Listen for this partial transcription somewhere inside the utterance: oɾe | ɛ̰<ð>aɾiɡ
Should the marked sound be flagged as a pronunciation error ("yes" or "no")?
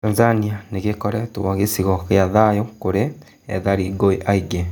no